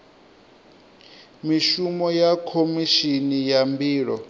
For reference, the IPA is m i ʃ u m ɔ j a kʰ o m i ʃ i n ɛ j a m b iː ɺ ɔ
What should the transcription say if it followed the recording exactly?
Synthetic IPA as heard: m i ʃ u m ɔ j a kʰ o m i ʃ i n i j a m b iː ɺ ɔ